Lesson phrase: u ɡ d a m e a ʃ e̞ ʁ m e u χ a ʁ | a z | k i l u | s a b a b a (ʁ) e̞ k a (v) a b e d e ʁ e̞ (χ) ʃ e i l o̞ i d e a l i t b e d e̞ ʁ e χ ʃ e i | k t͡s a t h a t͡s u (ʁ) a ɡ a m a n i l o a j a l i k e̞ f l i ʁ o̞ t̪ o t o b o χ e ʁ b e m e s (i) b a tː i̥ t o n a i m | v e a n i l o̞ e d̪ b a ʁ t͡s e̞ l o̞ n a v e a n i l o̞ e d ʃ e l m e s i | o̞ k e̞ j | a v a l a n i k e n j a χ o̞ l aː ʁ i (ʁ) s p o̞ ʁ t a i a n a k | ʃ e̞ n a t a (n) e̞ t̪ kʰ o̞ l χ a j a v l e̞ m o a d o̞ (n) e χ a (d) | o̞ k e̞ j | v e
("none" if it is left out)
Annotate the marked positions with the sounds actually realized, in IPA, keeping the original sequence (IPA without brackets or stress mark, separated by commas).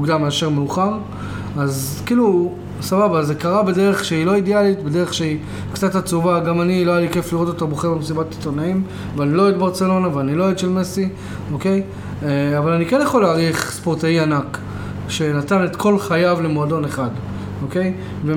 z, ʁ, χ, v, i, χ, n, n, d